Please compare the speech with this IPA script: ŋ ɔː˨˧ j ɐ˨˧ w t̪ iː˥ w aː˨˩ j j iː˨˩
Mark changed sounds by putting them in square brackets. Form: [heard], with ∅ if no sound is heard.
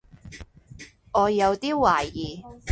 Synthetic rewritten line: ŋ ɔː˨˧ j ɐ˨˧ w t̪ iː˥ w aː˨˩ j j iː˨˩